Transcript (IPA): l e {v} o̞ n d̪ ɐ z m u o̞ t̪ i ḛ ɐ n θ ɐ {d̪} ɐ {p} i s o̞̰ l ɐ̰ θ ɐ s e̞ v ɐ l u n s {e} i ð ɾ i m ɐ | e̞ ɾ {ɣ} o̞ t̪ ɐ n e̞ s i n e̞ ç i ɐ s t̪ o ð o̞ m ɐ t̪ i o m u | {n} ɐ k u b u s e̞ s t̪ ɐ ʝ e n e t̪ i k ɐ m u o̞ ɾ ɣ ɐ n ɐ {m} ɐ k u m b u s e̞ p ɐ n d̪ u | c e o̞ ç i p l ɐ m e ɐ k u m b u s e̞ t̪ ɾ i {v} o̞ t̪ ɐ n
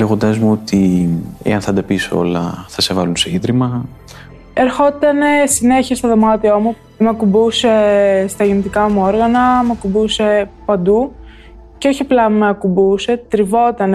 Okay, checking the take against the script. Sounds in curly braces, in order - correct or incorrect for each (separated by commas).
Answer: incorrect, correct, correct, correct, incorrect, incorrect, correct, correct